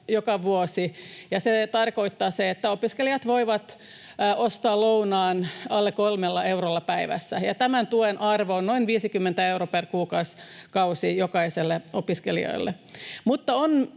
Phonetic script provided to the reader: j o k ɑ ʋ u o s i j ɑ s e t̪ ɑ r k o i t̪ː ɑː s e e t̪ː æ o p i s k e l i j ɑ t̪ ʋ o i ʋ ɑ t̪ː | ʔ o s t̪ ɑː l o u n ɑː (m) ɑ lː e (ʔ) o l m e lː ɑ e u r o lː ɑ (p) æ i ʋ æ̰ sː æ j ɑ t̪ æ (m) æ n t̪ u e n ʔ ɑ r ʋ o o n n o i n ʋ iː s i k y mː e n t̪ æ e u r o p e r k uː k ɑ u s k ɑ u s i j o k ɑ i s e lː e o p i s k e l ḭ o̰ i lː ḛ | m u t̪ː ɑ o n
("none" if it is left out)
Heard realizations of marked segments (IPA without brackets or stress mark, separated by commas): n, k, p, m